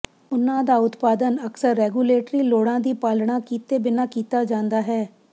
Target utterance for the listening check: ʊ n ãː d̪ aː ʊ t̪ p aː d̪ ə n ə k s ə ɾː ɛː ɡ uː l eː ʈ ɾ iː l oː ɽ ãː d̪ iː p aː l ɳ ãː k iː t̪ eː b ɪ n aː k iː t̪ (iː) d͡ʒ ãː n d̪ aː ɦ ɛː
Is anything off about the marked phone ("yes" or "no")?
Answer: yes